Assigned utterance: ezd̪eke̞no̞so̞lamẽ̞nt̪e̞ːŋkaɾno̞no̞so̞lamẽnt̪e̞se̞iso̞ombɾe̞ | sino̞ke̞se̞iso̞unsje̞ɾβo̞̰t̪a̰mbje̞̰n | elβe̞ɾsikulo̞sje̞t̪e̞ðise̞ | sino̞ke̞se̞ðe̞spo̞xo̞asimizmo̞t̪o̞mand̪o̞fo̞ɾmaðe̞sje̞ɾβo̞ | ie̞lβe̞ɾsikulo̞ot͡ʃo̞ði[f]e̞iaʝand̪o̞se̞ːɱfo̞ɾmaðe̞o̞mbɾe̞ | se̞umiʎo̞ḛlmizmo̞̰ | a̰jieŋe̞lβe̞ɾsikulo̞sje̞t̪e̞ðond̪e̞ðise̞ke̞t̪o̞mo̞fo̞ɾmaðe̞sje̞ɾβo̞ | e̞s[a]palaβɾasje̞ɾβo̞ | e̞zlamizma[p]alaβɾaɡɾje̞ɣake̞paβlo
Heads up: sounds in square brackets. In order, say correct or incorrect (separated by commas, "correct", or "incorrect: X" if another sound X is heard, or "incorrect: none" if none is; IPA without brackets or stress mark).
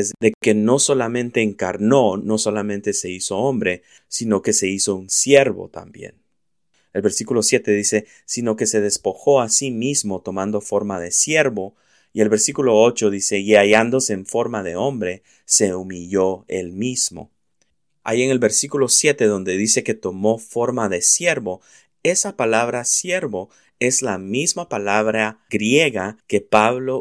incorrect: s, correct, correct